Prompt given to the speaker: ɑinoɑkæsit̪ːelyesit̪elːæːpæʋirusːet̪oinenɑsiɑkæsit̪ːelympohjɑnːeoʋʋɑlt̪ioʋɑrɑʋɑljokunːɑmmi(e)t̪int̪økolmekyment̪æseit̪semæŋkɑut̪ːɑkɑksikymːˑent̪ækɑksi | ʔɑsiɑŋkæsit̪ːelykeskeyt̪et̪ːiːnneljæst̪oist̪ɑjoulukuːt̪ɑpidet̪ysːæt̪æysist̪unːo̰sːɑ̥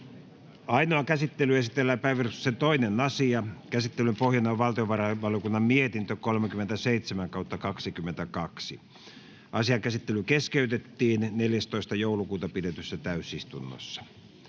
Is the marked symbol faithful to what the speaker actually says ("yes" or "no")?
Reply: yes